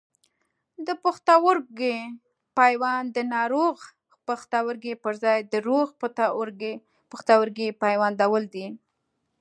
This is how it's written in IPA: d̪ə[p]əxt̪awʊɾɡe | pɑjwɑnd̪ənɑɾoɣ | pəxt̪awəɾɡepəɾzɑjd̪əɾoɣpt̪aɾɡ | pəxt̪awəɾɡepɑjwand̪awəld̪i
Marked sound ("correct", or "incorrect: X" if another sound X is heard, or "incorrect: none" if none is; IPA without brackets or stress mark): correct